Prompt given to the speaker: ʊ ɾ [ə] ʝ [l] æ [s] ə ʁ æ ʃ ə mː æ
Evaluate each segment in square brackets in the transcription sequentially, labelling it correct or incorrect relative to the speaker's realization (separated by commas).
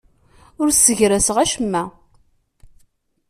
correct, incorrect, correct